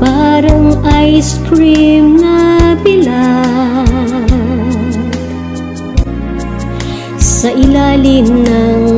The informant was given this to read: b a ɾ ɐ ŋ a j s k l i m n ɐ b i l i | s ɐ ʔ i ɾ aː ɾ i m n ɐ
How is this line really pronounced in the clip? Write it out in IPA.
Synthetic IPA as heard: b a ɾ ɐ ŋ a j s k ɾ i m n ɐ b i l a | s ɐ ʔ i l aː l i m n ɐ